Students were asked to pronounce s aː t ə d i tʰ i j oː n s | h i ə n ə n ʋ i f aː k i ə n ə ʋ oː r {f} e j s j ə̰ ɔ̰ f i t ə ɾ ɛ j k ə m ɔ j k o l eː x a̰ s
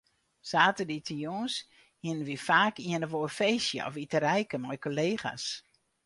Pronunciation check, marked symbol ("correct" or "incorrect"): correct